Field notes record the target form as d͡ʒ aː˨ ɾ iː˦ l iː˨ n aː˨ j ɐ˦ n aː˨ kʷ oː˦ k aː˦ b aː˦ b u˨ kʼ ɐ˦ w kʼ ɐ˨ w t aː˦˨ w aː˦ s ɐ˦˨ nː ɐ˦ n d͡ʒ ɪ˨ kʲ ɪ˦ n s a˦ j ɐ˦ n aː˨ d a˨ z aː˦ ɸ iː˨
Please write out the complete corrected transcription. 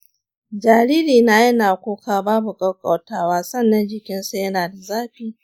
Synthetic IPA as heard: d͡ʒ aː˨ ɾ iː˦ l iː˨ n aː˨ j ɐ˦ n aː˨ kʷ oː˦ k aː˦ b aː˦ b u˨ kʼ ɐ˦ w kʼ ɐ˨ w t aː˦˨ w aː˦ s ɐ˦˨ nː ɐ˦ n d͡ʒ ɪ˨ kʲ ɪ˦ n s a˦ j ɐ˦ n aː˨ d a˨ z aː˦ ɸ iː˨